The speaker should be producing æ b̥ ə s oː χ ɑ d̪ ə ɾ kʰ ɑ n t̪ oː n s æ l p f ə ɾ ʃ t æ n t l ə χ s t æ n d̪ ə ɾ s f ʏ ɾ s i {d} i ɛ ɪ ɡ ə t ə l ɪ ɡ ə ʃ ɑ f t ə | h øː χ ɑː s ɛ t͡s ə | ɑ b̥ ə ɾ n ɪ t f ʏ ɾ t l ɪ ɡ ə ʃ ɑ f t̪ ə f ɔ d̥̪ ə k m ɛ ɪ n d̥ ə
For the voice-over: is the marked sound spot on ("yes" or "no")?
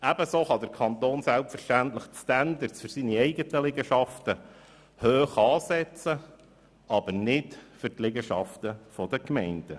no